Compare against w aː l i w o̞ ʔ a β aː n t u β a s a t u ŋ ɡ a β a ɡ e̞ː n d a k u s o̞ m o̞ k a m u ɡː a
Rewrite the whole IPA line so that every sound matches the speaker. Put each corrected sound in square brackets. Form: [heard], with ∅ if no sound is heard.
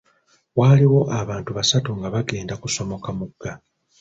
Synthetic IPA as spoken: w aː l i w o̞ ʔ a β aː n t u β a s a t u ŋ ɡ a β a ɡ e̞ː n d a k u s o̞ m o̞ k a m u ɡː a